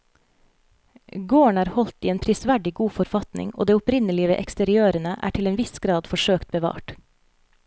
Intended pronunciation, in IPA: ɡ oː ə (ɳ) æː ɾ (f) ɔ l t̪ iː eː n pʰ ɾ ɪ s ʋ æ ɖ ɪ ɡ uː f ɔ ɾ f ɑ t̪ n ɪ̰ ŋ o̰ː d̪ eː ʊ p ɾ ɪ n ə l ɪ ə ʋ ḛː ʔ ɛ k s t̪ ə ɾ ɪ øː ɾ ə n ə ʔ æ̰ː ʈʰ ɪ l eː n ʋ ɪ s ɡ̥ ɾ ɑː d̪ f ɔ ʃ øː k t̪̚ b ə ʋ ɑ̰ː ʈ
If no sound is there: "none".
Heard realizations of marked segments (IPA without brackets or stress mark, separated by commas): ɳ, h